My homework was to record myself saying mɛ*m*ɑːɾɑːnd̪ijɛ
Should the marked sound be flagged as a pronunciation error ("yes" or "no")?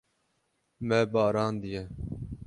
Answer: yes